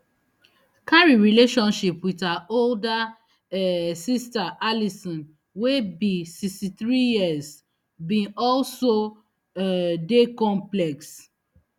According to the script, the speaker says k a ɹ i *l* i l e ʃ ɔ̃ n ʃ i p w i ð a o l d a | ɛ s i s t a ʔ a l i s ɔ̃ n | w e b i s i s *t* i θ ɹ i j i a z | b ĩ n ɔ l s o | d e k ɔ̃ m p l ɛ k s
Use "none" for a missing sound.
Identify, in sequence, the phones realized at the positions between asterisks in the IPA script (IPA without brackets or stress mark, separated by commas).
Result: ɹ, t